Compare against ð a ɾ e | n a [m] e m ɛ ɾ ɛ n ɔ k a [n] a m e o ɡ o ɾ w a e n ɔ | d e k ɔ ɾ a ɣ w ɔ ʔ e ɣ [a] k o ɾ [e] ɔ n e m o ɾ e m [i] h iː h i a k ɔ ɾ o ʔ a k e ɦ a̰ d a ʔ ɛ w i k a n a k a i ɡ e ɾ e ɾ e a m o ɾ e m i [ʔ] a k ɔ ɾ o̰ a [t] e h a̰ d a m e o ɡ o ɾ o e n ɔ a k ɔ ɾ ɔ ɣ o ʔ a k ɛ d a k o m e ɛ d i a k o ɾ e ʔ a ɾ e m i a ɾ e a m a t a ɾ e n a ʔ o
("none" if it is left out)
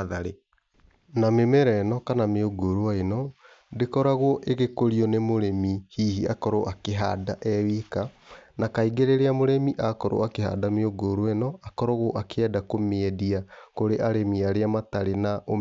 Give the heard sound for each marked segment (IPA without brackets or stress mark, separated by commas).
m, n, e, i, i, ʔ, k